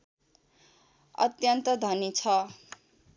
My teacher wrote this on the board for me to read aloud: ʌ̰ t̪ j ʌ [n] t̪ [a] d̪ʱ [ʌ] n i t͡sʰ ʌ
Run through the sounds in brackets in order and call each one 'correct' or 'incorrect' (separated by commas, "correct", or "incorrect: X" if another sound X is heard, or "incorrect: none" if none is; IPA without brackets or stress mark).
correct, incorrect: ʌ, correct